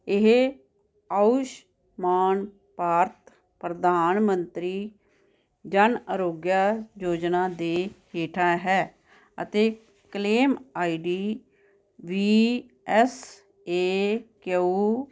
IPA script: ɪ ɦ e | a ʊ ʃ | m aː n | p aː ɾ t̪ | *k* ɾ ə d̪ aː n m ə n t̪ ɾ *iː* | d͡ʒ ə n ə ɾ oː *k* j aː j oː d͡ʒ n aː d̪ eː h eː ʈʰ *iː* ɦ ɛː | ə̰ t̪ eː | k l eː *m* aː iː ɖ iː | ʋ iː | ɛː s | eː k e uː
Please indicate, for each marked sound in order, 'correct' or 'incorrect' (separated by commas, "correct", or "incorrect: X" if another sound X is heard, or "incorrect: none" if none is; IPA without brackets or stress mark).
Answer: incorrect: p, correct, incorrect: ɡ, incorrect: aː, correct